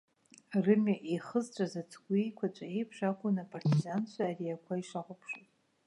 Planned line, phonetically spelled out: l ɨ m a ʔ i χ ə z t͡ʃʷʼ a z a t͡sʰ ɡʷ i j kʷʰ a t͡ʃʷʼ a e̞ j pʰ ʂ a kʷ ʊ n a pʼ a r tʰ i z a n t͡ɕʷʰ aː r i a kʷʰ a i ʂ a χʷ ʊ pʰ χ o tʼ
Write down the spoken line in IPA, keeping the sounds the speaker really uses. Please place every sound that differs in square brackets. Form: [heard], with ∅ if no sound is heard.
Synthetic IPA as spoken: [r] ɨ m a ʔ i χ ə z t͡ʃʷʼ a z a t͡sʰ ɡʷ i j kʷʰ a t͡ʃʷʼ a e̞ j pʰ ʂ a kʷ ʊ n a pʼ a r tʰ i z a n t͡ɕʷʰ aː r i a kʷʰ a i ʂ a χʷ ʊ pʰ [ʂ] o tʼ